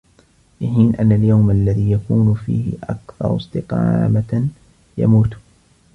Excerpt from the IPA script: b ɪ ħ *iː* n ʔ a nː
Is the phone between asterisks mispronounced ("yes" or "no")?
no